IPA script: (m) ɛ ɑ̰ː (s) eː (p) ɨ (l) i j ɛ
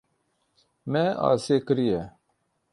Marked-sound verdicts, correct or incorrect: correct, correct, incorrect: k, incorrect: ɾ

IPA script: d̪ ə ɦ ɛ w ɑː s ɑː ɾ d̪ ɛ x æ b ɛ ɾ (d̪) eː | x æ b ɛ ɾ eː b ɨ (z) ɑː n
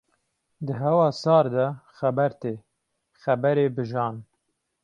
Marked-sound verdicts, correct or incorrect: incorrect: t̪, incorrect: ʒ

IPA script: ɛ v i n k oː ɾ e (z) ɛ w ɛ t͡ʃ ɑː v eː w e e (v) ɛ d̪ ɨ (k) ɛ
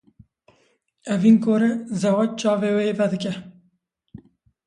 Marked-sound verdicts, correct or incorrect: correct, correct, correct

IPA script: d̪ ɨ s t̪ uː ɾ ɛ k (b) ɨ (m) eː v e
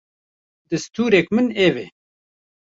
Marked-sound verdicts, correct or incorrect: incorrect: m, incorrect: n

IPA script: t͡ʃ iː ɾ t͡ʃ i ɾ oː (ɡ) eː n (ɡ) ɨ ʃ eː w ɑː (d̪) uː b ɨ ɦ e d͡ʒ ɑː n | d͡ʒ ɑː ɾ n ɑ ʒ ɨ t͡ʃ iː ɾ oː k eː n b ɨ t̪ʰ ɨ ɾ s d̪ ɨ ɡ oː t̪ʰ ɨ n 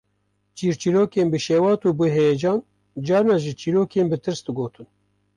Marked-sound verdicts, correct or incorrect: incorrect: k, incorrect: b, incorrect: t̪

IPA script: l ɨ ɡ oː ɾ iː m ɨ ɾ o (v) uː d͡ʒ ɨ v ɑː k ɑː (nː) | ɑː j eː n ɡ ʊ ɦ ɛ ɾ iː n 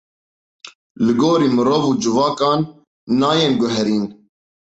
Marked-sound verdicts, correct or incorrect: correct, correct

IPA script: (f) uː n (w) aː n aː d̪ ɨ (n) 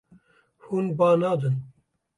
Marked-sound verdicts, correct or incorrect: incorrect: h, incorrect: b, correct

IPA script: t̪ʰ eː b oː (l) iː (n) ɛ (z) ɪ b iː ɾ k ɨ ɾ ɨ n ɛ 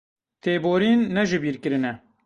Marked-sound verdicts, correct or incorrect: incorrect: ɾ, incorrect: nː, incorrect: ʒ

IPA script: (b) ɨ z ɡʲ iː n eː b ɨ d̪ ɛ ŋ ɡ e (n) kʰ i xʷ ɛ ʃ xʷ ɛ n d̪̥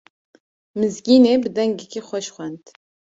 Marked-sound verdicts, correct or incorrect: incorrect: m, incorrect: none

